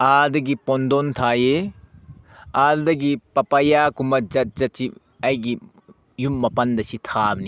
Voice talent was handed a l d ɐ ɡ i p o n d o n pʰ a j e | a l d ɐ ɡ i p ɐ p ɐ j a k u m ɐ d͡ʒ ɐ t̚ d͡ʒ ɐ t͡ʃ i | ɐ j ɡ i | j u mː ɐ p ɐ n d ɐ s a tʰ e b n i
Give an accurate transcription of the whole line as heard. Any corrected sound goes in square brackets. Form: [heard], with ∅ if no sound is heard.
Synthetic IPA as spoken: a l d ɐ ɡ i p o n d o n [tʰ] a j e | a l d ɐ ɡ i p ɐ p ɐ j a k u m ɐ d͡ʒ ɐ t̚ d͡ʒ ɐ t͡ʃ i | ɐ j ɡ i | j u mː ɐ p ɐ n d ɐ s [i] tʰ [a] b n i